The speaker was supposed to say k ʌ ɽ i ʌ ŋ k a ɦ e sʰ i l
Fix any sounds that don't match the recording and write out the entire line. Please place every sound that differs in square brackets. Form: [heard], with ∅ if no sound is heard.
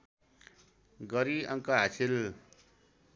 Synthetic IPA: [ɡ] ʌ [ɾ] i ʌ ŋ k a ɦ [a] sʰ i l